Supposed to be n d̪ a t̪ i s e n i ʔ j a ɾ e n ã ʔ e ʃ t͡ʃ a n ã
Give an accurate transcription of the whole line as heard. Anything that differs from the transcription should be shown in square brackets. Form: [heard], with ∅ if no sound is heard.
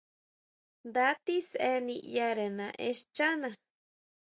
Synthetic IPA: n d̪ a t̪ i s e n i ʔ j a ɾ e n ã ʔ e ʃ t͡ʃ a n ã